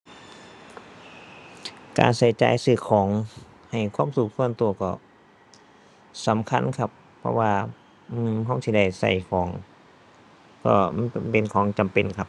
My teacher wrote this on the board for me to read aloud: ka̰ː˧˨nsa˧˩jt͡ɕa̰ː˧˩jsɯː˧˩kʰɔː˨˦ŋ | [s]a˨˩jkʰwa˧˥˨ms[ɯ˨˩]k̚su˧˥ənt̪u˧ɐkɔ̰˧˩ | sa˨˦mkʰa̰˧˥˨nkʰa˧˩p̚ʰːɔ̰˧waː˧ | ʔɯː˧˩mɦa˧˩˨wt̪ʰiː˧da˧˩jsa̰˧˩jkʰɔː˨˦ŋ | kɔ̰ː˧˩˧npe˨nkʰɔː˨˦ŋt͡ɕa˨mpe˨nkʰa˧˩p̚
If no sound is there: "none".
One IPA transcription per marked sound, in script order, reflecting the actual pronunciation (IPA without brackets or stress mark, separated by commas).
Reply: h, u˨˩